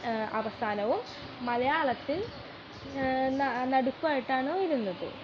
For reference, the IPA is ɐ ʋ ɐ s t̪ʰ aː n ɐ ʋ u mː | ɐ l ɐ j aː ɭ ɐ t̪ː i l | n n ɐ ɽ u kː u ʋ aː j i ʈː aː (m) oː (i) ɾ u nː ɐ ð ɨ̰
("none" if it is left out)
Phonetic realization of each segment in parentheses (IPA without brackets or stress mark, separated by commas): ɳ, i